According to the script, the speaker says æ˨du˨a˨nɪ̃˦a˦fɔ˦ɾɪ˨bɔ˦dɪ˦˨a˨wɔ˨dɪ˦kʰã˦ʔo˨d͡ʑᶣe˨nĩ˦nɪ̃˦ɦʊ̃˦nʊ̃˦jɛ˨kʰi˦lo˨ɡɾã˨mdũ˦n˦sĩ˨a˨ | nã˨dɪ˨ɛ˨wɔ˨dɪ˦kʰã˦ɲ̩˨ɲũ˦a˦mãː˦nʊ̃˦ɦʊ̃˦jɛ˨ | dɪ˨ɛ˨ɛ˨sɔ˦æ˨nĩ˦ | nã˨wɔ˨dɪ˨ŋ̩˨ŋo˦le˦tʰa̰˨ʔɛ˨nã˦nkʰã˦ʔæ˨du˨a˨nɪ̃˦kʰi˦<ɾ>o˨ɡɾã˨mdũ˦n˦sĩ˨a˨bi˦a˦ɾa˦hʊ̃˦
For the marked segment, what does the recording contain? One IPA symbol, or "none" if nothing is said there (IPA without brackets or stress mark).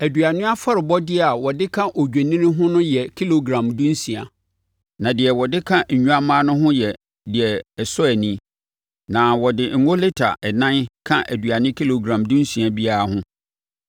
l